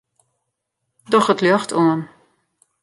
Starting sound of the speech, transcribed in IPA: d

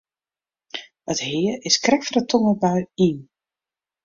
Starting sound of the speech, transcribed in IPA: ə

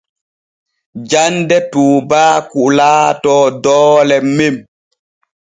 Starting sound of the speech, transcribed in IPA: d͡ʒ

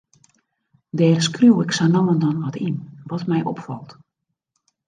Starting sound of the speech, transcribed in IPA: d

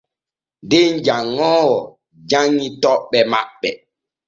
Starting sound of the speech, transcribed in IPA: d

